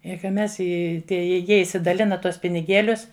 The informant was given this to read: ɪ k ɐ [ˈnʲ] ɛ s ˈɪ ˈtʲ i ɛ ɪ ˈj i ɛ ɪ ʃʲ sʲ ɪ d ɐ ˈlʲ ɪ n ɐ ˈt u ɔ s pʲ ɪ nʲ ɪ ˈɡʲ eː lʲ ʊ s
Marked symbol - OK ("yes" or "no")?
no